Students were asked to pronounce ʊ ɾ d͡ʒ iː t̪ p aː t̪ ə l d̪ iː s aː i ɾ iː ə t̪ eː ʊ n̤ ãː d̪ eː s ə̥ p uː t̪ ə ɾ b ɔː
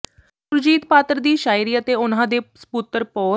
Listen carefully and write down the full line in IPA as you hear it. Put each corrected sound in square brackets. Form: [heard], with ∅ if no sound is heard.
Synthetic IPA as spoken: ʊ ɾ d͡ʒ iː t̪ p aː t̪ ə [ɾ] d̪ iː [ʃ] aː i ɾ iː ə t̪ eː ʊ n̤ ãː d̪ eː s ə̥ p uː t̪ ə ɾ [p] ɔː